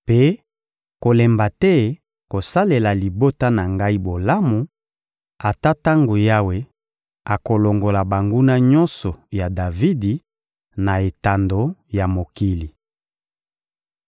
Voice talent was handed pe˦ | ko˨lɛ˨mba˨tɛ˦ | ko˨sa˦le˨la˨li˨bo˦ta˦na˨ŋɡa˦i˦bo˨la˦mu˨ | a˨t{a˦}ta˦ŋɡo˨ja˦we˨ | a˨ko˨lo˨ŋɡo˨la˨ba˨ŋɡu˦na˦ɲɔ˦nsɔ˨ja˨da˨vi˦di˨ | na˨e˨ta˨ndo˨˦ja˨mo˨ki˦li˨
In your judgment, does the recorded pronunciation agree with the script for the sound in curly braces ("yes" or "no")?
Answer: yes